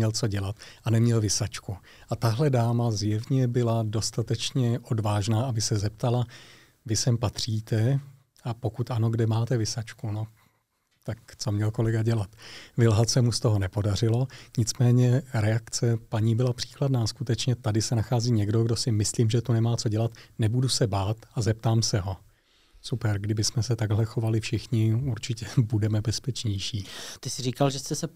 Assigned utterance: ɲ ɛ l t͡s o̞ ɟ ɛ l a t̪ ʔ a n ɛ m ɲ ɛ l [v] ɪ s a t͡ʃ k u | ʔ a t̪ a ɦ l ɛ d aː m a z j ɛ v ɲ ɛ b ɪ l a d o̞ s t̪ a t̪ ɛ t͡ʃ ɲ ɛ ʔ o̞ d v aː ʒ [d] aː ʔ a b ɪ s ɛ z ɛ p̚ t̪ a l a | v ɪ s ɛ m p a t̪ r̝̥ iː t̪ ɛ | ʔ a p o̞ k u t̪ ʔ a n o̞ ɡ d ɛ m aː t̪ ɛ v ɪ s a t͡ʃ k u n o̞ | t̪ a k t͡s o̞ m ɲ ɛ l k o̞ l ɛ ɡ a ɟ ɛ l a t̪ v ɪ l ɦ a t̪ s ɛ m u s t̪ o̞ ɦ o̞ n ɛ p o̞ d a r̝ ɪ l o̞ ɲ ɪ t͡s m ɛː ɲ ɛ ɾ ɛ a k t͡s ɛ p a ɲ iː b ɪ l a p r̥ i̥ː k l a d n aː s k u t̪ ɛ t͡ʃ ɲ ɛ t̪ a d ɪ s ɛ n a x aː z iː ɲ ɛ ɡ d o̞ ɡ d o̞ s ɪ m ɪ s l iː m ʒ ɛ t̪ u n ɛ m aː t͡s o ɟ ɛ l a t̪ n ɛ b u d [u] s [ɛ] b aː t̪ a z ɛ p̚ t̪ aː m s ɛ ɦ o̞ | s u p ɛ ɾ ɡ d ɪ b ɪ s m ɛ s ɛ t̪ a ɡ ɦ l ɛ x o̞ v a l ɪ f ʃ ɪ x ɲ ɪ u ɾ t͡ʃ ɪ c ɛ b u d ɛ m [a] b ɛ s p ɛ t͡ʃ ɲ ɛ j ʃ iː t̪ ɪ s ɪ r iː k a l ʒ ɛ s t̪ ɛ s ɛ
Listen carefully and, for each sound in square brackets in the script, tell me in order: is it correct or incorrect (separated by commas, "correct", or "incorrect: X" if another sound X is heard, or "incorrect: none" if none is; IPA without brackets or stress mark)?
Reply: correct, incorrect: n, correct, correct, incorrect: ɛ